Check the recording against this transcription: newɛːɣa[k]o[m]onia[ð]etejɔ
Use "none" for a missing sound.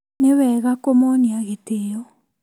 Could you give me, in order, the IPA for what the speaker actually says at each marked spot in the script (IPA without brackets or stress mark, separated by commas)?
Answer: k, m, ɣ